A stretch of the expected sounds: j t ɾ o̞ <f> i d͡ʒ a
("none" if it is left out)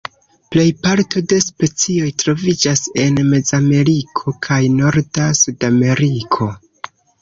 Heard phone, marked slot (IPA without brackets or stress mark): v